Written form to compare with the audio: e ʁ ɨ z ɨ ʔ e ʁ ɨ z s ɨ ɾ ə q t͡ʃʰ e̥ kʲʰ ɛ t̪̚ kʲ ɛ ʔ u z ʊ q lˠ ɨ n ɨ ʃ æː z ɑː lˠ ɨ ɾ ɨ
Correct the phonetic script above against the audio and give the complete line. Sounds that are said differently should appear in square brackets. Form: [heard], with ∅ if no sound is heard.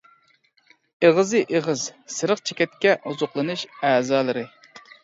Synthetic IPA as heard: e ʁ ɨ z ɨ ʔ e ʁ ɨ z s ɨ ɾ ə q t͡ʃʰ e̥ [kʲ] ɛ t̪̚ kʲ ɛ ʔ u z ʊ q lˠ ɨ n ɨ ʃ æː z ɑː lˠ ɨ ɾ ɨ